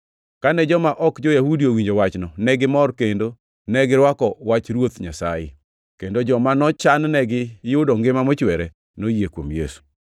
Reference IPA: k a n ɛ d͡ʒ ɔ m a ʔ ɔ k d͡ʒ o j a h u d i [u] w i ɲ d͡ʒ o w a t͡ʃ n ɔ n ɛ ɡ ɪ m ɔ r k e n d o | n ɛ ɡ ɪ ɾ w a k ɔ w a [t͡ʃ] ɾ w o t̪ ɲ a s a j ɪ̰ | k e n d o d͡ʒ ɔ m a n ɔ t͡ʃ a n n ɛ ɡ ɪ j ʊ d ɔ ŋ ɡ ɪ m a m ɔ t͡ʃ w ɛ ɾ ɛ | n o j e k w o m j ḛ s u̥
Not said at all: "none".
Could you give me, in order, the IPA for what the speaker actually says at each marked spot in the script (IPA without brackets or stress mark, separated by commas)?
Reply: o, t͡ʃ